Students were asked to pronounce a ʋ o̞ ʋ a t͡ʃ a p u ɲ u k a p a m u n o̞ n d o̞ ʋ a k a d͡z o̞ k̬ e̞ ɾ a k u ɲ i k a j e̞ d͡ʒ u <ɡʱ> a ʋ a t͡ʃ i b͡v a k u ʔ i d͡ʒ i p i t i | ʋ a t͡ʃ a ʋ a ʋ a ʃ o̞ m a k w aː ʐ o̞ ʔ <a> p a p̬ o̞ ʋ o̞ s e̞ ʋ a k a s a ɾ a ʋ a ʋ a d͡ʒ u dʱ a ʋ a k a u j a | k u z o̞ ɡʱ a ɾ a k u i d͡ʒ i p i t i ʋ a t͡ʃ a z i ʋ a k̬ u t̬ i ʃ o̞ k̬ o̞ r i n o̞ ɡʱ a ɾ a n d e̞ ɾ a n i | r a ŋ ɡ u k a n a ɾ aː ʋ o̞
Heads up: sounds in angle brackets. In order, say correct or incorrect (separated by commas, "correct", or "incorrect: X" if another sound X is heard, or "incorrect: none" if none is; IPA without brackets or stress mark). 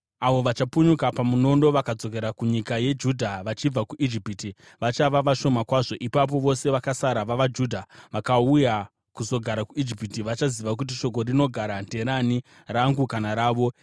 incorrect: dʱ, incorrect: i